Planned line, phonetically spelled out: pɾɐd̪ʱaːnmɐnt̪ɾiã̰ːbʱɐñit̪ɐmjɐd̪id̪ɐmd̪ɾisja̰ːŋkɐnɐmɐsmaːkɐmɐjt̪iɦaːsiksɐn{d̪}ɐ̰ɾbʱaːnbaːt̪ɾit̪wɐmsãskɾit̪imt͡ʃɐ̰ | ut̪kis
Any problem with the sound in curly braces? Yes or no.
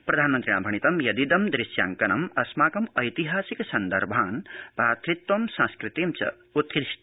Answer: no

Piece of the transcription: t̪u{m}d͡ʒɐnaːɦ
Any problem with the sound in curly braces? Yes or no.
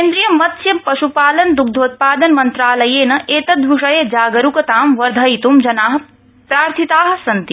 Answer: no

